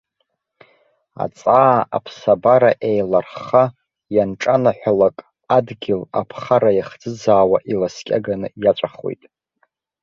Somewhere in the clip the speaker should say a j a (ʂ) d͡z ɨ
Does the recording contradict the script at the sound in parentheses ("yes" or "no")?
yes